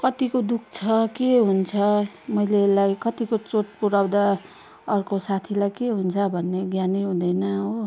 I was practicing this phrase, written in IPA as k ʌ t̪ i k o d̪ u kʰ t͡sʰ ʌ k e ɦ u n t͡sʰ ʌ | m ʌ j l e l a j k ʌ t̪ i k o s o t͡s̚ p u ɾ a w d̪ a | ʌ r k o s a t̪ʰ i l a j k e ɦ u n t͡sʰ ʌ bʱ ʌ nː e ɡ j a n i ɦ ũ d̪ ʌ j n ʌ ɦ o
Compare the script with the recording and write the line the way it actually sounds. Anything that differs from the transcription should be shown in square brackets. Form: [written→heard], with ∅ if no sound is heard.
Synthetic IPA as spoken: k ʌ t̪ i k o d̪ u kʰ t͡sʰ ʌ k e ɦ u n t͡sʰ ʌ | m ʌ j l e l a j k ʌ t̪ i k o [s→t͡s] o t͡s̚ p u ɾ a w d̪ a | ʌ r k o s a t̪ʰ i l a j k e ɦ u n t͡sʰ ʌ bʱ ʌ nː e ɡ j a n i ɦ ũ d̪ ʌ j n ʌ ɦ o